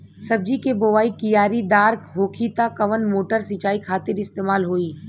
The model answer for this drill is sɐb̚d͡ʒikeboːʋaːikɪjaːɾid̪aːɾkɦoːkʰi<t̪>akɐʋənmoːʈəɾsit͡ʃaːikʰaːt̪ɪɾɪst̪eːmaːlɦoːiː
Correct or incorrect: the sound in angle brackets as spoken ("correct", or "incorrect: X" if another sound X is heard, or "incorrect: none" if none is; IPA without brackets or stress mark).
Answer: correct